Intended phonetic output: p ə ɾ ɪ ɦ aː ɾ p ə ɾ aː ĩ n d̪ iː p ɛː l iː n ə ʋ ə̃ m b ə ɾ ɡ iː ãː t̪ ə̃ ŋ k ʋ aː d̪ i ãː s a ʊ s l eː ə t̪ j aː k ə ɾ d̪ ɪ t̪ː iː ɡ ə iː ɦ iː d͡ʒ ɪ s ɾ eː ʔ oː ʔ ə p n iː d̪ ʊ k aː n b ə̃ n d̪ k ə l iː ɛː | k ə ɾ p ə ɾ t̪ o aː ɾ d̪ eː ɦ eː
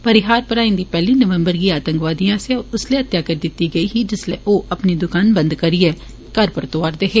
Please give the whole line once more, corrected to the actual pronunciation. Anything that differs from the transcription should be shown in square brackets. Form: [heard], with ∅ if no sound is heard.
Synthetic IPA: p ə ɾ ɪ ɦ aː ɾ p ə ɾ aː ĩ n d̪ iː p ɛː l iː n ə ʋ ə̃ m b ə ɾ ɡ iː [aː] t̪ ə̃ ŋ k ʋ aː d̪ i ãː s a ʊ s l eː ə t̪ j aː k ə ɾ d̪ ɪ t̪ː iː ɡ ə iː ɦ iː d͡ʒ ɪ s [l] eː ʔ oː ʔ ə p n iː d̪ ʊ k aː n b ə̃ n d̪ k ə [ɾ] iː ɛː | k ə ɾ p ə ɾ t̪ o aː ɾ d̪ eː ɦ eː